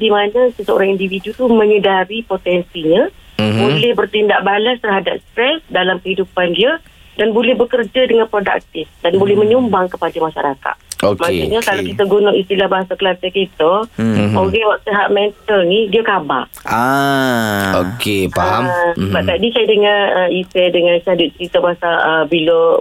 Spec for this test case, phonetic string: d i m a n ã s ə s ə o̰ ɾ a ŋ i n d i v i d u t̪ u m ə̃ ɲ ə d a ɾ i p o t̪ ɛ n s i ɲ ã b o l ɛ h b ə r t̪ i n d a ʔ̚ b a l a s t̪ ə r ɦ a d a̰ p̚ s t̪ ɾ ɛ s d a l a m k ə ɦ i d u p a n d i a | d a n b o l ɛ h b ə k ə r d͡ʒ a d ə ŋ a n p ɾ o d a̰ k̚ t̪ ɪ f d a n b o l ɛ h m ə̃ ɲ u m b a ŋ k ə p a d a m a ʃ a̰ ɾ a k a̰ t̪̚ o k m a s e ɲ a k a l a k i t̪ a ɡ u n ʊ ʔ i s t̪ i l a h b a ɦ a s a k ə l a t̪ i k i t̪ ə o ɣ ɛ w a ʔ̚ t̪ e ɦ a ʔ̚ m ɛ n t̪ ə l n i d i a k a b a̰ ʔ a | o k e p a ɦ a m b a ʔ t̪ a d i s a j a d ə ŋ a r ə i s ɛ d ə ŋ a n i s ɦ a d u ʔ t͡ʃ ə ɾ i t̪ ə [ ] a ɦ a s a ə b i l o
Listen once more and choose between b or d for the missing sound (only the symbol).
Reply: b